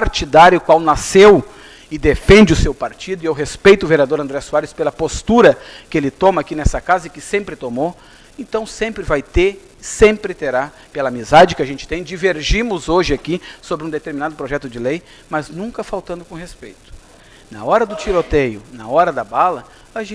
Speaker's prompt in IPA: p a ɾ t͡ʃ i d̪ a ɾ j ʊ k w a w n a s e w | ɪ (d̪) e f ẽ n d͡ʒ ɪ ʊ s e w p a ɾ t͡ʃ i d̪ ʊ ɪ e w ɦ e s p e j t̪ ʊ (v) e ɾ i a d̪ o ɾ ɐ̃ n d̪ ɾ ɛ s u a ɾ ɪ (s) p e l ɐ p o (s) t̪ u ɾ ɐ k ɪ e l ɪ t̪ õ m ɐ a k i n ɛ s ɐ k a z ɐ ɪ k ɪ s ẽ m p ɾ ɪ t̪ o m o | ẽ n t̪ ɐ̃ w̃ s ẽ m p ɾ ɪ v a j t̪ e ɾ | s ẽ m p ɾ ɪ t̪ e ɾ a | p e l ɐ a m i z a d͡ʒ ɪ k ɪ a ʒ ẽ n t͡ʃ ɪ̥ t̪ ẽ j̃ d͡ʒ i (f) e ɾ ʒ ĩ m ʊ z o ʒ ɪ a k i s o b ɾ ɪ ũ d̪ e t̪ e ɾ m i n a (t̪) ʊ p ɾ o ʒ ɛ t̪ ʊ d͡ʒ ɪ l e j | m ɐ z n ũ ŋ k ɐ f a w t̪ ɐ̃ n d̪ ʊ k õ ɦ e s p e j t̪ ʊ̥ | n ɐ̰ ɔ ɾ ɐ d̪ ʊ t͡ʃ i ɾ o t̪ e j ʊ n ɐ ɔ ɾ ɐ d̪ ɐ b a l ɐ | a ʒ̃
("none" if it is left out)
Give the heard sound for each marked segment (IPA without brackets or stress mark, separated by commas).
d̪, v, s, s, v, d̪